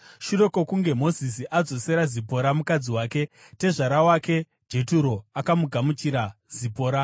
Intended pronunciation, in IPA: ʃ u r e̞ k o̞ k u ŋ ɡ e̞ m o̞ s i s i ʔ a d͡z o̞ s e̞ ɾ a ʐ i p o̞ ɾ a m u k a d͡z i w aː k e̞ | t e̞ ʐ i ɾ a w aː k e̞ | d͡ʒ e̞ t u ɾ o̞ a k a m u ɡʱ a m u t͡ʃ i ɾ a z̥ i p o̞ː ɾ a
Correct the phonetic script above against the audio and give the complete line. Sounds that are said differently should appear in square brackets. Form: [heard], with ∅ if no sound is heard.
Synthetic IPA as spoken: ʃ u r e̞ k o̞ k u ŋ ɡ e̞ m o̞ [z] i s i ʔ a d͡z o̞ s e̞ ɾ a [z] i p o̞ ɾ a m u k a d͡z i w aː k e̞ | t e̞ ʐ [a] ɾ a w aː k e̞ | d͡ʒ e̞ t u ɾ o̞ a k a m u ɡʱ a m u t͡ʃ i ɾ a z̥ i p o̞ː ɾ a